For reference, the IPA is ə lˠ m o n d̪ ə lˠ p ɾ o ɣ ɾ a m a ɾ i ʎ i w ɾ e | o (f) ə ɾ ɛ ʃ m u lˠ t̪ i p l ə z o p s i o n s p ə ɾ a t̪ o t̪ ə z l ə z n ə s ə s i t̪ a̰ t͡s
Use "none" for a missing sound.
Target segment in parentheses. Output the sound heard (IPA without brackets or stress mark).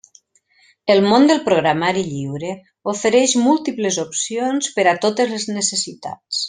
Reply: f